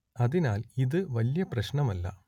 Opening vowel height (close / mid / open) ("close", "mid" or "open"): open